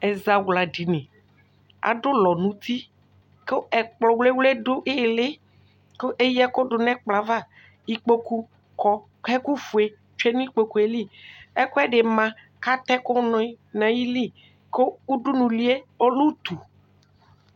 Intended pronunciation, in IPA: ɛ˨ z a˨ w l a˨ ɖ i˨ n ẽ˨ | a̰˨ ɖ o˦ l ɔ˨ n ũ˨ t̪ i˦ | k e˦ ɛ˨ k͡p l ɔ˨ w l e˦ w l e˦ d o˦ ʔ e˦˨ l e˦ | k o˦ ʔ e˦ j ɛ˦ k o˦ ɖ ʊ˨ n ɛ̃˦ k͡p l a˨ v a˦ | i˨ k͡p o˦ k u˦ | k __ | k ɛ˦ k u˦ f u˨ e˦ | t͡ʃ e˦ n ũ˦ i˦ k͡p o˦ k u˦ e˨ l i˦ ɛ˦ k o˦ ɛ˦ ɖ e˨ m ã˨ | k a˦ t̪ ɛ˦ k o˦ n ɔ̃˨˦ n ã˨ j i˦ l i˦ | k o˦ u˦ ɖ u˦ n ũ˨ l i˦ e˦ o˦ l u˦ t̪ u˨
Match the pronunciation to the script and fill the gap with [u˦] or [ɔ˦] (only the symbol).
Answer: ɔ˦